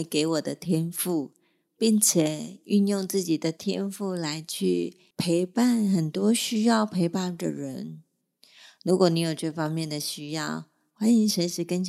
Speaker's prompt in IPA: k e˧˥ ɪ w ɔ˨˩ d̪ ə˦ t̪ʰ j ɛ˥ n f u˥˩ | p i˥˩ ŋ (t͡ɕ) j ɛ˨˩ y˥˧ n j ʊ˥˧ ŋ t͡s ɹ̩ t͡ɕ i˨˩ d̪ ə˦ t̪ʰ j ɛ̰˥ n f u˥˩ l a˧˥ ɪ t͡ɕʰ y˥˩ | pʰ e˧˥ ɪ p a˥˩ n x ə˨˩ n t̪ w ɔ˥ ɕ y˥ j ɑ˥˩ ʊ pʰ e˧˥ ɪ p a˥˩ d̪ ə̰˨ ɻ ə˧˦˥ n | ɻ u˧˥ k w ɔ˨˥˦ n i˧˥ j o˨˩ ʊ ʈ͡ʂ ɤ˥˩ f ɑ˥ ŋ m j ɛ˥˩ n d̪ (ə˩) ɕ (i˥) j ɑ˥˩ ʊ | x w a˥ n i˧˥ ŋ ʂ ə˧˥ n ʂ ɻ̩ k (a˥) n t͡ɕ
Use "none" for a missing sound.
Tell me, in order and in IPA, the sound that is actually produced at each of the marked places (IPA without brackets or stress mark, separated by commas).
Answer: t͡ɕʰ, ə˩, y˥, ə˥